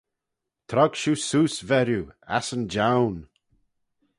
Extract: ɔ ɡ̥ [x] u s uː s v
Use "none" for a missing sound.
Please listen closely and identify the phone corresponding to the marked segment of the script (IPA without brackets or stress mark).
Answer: ʃ